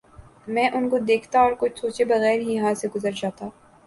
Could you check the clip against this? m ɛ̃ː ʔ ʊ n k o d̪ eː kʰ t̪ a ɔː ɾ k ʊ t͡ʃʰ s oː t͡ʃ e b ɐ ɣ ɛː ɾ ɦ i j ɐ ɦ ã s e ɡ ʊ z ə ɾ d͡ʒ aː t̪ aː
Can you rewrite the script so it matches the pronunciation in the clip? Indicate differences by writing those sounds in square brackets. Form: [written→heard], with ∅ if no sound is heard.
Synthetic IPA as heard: m ɛ̃ː ʔ ʊ n k o d̪ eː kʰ t̪ a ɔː ɾ k ʊ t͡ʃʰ s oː t͡ʃ e b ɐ ɣ ɛː ɾ ɦ i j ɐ ɦ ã s e ɡ ʊ z ə ɾ d͡ʒ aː t̪ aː